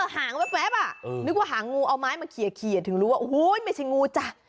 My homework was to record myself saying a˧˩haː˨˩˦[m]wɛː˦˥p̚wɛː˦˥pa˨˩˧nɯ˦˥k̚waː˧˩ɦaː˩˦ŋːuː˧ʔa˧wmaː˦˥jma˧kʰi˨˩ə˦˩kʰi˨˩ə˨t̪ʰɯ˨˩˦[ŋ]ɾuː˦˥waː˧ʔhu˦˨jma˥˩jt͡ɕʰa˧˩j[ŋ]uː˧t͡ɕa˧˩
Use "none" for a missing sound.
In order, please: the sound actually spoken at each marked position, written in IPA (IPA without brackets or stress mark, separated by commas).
ŋ, ŋ, ŋ